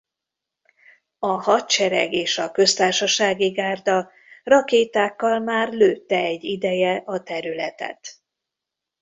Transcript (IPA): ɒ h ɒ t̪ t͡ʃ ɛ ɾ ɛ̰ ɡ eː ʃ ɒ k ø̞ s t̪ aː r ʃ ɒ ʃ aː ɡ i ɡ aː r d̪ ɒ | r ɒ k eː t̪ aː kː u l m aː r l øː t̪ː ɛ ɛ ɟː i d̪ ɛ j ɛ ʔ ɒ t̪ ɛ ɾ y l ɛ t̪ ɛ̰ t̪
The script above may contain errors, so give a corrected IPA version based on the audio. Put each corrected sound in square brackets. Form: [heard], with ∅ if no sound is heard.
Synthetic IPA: ɒ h ɒ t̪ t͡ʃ ɛ ɾ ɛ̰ ɡ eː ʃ ɒ k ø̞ s t̪ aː r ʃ ɒ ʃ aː ɡ i ɡ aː r d̪ ɒ | r ɒ k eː t̪ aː kː [ɒ] l m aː r l øː t̪ː ɛ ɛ ɟː i d̪ ɛ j ɛ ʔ ɒ t̪ ɛ ɾ y l ɛ t̪ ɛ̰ t̪

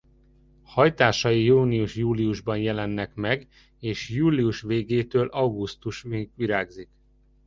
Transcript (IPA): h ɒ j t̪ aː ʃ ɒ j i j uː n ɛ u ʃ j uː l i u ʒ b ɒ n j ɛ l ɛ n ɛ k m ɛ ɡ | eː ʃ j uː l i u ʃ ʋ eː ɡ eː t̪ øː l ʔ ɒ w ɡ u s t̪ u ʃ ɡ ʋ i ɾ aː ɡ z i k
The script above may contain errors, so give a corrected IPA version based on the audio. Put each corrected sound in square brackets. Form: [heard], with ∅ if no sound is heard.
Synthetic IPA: h ɒ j t̪ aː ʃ ɒ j i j uː n [i] u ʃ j uː l i u ʒ b ɒ n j ɛ l ɛ [nː] ɛ k m ɛ ɡ | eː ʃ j uː l i u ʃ ʋ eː ɡ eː t̪ øː l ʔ ɒ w ɡ u s t̪ u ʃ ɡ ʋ i ɾ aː ɡ z i k

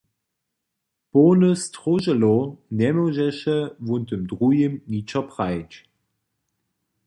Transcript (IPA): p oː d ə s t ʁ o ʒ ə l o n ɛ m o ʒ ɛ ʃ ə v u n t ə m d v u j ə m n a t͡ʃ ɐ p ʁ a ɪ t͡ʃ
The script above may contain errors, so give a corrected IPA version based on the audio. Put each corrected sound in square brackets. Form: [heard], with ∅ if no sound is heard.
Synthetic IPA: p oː [n] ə s t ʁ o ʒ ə l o n ɛ m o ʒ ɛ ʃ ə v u n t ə m d [ʁ] u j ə m n [i] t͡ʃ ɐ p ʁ a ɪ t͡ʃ

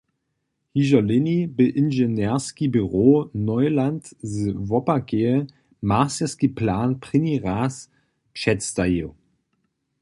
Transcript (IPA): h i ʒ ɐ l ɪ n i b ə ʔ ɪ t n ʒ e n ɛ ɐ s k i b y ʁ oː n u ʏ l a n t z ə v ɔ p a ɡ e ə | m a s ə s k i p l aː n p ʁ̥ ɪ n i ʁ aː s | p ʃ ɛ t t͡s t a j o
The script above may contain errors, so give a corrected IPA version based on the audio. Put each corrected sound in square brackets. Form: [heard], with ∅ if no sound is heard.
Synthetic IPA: h i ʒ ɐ l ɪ n i b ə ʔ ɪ [∅] n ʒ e n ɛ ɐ s k i b y ʁ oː n [ɔ] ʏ l a n t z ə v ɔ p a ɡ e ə | m a s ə s k i p l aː n p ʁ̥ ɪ n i ʁ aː s | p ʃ ɛ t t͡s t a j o

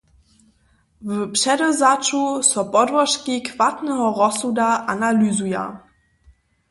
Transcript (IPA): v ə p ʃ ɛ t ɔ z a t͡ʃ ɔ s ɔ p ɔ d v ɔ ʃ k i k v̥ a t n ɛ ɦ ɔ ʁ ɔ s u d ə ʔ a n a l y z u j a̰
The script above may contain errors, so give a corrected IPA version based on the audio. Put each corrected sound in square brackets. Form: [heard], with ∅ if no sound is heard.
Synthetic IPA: v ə p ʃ ɛ [d] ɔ z a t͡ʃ [u] s ɔ p ɔ d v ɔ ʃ k i k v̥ a t n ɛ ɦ ɔ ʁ ɔ s u d [a] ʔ a n a l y z u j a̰

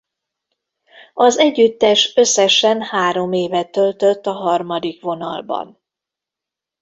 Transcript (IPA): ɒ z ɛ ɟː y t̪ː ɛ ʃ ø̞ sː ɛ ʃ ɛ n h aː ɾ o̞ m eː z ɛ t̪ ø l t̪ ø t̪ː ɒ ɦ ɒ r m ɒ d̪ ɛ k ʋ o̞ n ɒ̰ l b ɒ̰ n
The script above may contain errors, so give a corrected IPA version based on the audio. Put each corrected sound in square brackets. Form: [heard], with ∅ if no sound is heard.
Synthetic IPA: ɒ z ɛ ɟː y t̪ː ɛ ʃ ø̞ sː ɛ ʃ ɛ n h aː ɾ o̞ m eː [v] ɛ t̪ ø l t̪ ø t̪ː ɒ ɦ ɒ r m ɒ d̪ [i] k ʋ o̞ n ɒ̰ l b ɒ̰ n

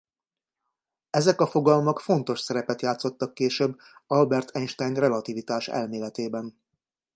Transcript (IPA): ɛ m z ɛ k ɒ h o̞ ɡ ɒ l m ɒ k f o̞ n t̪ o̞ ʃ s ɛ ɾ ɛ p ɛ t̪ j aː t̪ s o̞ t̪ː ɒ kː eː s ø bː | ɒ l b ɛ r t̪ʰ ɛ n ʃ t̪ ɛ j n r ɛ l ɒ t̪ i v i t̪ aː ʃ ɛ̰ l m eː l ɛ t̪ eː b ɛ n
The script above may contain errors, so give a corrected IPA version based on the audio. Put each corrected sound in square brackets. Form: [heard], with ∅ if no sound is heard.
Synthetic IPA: ɛ [∅] z ɛ k ɒ [f] o̞ ɡ ɒ l m ɒ k f o̞ n t̪ o̞ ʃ s ɛ ɾ ɛ p ɛ t̪ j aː t̪ s o̞ t̪ː ɒ kː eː [ʃ] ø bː | ɒ l b ɛ r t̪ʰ ɛ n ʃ t̪ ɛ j n r ɛ l ɒ t̪ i v i t̪ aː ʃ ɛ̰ l m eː l ɛ t̪ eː b ɛ n

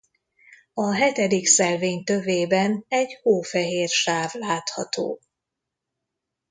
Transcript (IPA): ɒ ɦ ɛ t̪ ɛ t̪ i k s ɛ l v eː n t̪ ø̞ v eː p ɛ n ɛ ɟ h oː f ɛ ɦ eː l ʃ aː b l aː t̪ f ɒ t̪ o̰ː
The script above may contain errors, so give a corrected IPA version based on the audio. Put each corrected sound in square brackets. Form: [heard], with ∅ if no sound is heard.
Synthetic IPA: ɒ ɦ ɛ t̪ ɛ [d̪] i k s ɛ l v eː [ɲ] t̪ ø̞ v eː [b] ɛ n ɛ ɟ h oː f ɛ ɦ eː [r] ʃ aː [v] l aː t̪ [h] ɒ t̪ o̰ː

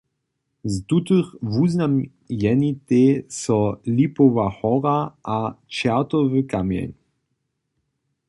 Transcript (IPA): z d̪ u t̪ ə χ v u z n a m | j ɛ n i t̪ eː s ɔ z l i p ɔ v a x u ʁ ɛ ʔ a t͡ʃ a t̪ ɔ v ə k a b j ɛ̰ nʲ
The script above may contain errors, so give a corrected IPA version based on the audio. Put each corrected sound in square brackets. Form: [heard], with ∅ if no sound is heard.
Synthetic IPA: z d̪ u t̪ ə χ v u z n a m | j ɛ n i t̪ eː s ɔ [∅] l i p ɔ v a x [ɔ] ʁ [a] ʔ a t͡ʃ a t̪ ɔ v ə k a [m] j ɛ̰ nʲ

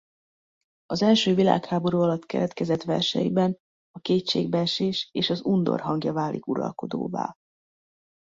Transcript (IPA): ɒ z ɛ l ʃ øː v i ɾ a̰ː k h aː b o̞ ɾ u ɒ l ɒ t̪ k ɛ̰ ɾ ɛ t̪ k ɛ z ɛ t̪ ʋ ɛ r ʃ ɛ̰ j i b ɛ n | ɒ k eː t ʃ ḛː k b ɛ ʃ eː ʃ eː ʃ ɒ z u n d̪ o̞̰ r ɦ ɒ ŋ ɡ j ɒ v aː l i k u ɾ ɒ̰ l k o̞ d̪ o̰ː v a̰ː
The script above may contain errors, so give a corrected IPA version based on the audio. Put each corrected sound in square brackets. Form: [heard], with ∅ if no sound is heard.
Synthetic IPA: ɒ z ɛ l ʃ øː v i [l] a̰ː k h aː b o̞ ɾ u ɒ l ɒ t̪ k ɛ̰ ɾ ɛ t̪ k ɛ z ɛ t̪ ʋ ɛ r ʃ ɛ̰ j i b ɛ n | ɒ k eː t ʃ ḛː [ɡ] b ɛ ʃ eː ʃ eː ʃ ɒ z u n d̪ o̞̰ r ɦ ɒ ŋ ɡ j ɒ v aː l i k u ɾ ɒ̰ l k o̞ d̪ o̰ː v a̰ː

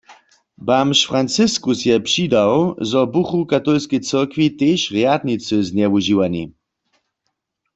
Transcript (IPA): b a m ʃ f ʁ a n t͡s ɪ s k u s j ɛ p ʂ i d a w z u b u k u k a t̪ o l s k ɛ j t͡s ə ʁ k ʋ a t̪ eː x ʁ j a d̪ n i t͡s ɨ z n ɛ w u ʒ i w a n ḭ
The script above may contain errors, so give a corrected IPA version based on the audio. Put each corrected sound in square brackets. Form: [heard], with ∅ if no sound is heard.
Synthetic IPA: b a m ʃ f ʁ a n t͡s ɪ s k u s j ɛ p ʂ i d a w z [ɔ] b u [x] u k a t̪ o l s k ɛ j t͡s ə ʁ k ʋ [i] t̪ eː [ʃ] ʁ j a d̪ n i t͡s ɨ z n ɛ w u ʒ i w a n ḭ

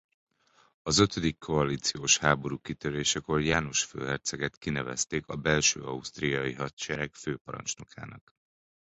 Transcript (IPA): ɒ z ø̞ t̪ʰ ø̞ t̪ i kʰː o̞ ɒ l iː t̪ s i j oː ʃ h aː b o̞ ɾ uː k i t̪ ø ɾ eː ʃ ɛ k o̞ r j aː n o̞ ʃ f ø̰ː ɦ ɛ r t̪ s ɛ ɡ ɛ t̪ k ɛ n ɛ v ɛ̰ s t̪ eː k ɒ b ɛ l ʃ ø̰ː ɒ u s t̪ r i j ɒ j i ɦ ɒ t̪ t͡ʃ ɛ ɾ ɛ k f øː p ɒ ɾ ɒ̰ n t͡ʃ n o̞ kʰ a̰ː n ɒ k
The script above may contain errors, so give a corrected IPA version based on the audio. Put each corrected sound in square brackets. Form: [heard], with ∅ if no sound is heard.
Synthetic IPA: ɒ z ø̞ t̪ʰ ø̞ [d̪] i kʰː o̞ ɒ l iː t̪ s i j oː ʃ h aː b o̞ ɾ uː k i t̪ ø ɾ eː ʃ ɛ k o̞ r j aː n o̞ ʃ f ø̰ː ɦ ɛ r t̪ s ɛ ɡ ɛ t̪ k [i] n ɛ v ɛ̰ s t̪ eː k ɒ b ɛ l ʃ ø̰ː ɒ u s t̪ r i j ɒ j i ɦ ɒ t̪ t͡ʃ ɛ ɾ ɛ k f øː p ɒ ɾ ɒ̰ n t͡ʃ n o̞ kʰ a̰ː n ɒ k

